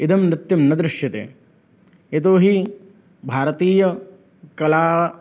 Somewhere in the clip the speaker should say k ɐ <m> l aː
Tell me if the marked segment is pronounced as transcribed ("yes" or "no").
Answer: no